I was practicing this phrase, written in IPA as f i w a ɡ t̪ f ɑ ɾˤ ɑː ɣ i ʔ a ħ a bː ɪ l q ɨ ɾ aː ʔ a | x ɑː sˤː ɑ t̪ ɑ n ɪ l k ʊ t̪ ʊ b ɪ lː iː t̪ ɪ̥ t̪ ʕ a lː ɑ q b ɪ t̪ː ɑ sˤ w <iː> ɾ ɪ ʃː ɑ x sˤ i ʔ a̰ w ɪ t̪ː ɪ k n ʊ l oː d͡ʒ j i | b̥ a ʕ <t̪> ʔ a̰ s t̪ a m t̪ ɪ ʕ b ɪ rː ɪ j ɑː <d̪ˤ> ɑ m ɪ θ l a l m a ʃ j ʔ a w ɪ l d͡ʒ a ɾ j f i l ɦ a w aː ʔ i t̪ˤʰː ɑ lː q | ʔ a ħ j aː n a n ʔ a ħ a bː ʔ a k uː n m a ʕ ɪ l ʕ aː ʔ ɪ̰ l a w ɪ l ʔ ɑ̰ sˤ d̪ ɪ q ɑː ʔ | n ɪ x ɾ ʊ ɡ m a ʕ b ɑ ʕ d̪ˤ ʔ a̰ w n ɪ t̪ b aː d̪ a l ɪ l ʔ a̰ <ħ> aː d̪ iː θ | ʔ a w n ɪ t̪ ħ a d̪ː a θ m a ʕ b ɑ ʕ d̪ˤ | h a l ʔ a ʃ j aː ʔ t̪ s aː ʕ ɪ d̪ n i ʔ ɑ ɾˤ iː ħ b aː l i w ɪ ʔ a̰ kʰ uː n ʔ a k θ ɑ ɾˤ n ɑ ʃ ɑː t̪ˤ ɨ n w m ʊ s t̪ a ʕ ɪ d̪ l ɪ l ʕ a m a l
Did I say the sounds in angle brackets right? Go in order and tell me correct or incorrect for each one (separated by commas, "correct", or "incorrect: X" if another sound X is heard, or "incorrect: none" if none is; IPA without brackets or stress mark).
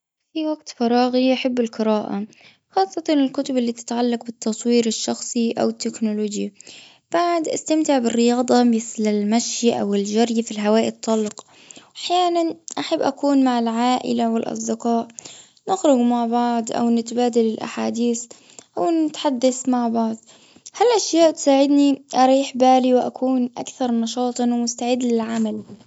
correct, incorrect: d̪, correct, correct